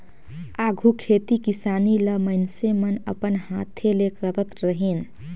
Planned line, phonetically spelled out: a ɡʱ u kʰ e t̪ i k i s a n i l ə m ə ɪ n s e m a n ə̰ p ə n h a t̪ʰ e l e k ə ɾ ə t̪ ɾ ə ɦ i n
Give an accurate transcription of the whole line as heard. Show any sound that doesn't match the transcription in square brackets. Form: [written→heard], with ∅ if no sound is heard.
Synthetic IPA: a ɡʱ u kʰ e t̪ i k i s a n i l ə m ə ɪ n s e m [a→ə] n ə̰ p ə n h a t̪ʰ e l e k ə ɾ ə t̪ ɾ ə ɦ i n